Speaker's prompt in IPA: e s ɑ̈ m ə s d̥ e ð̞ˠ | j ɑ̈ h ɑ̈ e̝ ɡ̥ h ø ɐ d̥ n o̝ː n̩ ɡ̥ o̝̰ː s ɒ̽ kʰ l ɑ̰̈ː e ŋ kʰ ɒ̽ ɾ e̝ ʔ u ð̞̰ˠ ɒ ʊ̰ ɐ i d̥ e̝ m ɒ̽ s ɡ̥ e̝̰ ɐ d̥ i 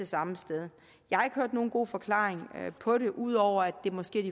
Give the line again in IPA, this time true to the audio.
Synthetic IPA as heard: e s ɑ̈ m ə s d̥ e ð̞ˠ | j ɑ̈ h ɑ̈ e̝ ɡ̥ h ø ɐ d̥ n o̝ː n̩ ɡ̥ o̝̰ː f ɒ̽ kʰ l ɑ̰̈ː e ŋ pʰ ɒ̽ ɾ e̝ ʔ u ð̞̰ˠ ɒ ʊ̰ ɐ æ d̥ e̝ m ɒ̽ s ɡ̥ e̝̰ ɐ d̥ i